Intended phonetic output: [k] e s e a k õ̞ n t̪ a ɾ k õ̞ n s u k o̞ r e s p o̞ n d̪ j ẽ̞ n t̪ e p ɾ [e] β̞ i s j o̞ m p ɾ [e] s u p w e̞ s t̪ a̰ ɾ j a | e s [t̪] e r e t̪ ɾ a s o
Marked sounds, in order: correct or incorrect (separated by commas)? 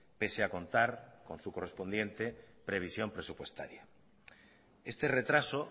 incorrect, correct, correct, correct